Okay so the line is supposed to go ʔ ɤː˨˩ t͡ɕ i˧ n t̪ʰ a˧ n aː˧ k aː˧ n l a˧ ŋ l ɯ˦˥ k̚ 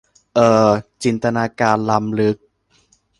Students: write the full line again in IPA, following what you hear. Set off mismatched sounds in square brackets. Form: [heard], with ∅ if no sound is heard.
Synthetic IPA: ʔ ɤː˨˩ t͡ɕ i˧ n [t̪] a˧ n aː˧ k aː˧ n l a˧ [m] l ɯ˦˥ k̚

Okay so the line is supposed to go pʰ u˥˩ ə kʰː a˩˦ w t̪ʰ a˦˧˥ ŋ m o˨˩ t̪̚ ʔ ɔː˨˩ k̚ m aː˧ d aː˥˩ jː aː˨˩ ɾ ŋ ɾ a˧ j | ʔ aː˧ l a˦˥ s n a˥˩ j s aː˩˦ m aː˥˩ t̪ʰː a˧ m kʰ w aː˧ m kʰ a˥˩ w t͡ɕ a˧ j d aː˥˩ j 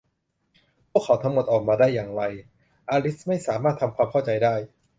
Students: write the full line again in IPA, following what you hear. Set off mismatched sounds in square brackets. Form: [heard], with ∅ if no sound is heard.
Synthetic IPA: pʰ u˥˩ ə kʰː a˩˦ w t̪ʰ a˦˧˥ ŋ m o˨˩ t̪̚ ʔ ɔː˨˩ k̚ m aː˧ d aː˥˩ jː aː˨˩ [∅] ŋ ɾ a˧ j | ʔ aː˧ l [i˦˥] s [m] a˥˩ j s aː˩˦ m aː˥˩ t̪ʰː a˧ m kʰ w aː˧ m kʰ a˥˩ w t͡ɕ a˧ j d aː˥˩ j

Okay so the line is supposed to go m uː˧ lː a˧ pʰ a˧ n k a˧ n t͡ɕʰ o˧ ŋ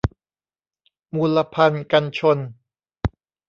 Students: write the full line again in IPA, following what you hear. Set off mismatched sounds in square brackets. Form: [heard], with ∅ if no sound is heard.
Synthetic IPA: m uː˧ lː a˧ pʰ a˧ n k a˧ n t͡ɕʰ o˧ [n]

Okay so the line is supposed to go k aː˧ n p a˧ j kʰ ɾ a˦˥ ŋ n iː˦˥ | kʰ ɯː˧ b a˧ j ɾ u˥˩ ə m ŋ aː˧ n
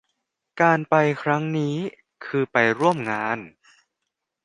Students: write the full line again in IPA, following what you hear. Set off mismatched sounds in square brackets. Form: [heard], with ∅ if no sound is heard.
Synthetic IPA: k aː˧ n p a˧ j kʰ ɾ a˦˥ ŋ n iː˦˥ | kʰ ɯː˧ [p] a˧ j ɾ u˥˩ ə m ŋ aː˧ n

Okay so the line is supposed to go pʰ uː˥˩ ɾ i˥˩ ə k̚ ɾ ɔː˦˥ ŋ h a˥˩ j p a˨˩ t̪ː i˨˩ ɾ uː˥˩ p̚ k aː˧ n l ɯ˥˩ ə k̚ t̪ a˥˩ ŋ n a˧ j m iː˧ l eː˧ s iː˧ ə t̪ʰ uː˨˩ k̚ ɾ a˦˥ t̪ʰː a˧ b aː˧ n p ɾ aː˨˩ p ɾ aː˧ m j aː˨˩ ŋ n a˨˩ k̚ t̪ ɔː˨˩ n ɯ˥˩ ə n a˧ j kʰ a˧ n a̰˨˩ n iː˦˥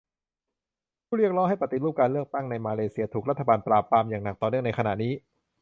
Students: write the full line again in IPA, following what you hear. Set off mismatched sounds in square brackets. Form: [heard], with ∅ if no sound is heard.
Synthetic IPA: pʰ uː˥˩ ɾ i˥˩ ə k̚ ɾ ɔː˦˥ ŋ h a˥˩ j p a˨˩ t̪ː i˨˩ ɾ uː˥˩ p̚ k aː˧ n l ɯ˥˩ ə k̚ t̪ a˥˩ ŋ n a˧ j m [aː˧] l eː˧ s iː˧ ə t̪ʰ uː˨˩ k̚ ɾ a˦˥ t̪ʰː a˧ b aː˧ n p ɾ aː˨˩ p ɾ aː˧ m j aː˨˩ ŋ n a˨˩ k̚ t̪ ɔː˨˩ n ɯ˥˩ ə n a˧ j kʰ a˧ n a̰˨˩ n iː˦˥

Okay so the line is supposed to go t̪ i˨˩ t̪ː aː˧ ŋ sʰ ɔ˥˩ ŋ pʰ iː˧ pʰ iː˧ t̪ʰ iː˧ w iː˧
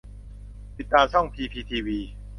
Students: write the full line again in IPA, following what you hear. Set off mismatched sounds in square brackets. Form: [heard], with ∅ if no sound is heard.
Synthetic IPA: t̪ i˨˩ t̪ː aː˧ [m] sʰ ɔ˥˩ ŋ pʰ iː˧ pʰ iː˧ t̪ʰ iː˧ w iː˧

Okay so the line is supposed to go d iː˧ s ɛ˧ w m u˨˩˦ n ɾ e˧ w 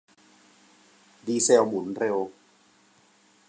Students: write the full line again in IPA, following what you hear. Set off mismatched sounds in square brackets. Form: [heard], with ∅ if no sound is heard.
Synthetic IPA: d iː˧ s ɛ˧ w m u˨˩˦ n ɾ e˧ w

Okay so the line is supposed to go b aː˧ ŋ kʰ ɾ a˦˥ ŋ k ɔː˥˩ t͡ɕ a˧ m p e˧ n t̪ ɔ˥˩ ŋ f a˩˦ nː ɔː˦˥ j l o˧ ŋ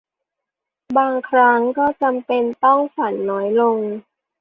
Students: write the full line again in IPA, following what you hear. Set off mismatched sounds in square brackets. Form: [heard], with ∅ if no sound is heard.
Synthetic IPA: b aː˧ ŋ kʰ ɾ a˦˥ ŋ k ɔː˥˩ t͡ɕ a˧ m p e˧ n t̪ ɔ˥˩ ŋ f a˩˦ nː ɔː˦˥ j l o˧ ŋ

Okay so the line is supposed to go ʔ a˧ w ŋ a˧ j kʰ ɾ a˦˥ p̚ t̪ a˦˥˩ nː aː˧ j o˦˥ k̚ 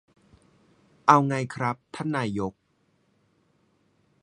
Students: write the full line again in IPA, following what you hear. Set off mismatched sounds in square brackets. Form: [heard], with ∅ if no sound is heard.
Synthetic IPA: ʔ a˧ w ŋ a˧ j kʰ ɾ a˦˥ p̚ [t̪ʰ] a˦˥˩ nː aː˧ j o˦˥ k̚

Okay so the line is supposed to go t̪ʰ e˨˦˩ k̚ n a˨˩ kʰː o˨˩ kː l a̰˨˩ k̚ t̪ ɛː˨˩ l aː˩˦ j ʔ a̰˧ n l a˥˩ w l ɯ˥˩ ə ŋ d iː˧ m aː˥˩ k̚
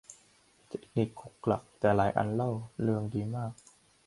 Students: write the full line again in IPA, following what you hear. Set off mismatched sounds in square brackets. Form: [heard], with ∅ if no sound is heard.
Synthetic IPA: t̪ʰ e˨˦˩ k̚ n [i˨˩] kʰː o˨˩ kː l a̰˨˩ k̚ t̪ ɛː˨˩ l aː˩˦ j ʔ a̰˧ n l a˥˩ w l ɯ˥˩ ə ŋ d iː˧ m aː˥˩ k̚

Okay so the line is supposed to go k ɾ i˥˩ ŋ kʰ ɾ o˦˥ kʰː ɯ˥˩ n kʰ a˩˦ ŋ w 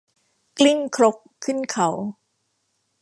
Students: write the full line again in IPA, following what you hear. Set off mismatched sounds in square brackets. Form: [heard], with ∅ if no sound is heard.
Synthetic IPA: k [l] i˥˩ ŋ kʰ ɾ o˦˥ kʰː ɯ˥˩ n kʰ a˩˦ [∅] w

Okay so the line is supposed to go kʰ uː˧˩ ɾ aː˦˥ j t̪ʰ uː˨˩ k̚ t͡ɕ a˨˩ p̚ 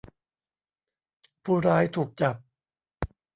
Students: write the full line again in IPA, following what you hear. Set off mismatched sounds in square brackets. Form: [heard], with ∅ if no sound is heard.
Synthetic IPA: [pʰ] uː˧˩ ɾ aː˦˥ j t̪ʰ uː˨˩ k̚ t͡ɕ a˨˩ p̚

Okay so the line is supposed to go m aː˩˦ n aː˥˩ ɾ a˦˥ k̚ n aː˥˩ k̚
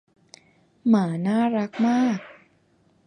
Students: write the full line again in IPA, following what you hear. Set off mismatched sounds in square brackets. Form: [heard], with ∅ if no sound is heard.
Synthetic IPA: m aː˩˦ n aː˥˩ ɾ a˦˥ k̚ [m] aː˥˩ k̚

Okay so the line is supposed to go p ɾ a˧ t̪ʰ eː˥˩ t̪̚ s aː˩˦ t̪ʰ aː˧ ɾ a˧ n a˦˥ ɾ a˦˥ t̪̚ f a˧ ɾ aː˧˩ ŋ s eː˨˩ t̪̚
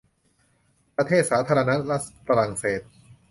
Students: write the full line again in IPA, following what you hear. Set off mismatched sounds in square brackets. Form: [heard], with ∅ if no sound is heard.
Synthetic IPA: p ɾ a˧ t̪ʰ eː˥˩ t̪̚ s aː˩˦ t̪ʰ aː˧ ɾ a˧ n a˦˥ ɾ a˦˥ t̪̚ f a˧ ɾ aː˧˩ ŋ s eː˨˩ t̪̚

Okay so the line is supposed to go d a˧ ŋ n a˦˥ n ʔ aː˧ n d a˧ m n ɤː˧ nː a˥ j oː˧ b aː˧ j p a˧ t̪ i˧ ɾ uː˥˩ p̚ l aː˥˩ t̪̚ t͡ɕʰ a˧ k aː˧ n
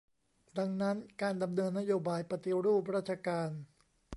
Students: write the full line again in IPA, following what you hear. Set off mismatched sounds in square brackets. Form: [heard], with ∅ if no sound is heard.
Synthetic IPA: d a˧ ŋ n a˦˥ n [k] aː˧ n d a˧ m n ɤː˧ nː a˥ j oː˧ b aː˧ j p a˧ t̪ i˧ ɾ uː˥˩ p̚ [ɾ] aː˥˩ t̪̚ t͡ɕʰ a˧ k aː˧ n

